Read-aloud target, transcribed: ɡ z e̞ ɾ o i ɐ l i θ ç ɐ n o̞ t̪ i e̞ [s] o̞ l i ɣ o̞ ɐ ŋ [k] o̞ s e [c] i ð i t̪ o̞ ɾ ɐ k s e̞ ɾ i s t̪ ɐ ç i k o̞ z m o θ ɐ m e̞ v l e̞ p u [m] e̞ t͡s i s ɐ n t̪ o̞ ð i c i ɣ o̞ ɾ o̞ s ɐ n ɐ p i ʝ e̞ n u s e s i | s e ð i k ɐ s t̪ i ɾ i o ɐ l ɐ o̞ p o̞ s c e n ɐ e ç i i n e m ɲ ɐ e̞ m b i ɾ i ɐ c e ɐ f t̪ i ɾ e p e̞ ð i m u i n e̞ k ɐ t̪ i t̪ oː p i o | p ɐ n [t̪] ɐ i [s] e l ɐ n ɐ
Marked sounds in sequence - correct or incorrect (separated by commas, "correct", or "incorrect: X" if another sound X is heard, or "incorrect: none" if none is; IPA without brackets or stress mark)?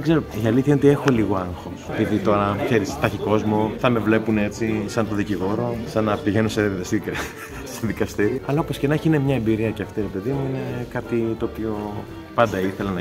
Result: incorrect: x, incorrect: x, incorrect: p, incorrect: n, incorrect: d̪, incorrect: θ